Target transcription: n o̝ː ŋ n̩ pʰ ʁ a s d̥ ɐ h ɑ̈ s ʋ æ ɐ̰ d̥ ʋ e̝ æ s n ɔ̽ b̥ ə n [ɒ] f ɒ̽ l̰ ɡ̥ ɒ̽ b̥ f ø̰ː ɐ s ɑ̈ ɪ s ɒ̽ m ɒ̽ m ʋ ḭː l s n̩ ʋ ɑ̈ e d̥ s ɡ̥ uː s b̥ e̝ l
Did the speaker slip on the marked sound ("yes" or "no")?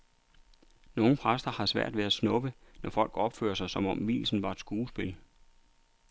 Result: no